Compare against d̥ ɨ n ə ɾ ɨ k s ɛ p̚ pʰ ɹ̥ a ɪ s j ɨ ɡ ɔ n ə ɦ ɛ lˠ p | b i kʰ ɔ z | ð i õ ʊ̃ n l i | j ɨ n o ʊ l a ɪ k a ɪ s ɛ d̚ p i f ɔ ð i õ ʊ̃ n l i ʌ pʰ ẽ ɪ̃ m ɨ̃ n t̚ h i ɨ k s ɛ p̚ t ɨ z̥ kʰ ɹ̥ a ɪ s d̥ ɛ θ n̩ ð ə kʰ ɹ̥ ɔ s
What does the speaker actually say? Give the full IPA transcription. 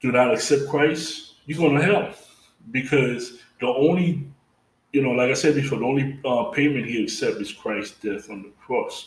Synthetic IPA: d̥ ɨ n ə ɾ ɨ k s ɛ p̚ kʰ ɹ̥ a ɪ s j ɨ ɡ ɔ n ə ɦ ɛ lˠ p | b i kʰ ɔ z | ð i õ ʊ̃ n l i | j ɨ n o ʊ l a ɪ k a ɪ s ɛ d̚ b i f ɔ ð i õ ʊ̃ n l i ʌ pʰ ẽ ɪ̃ m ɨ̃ n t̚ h i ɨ k s ɛ p̚ t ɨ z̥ kʰ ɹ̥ a ɪ s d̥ ɛ θ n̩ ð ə kʰ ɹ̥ ɔ s